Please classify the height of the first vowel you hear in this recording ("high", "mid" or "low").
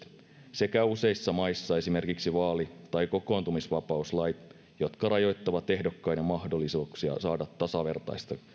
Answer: mid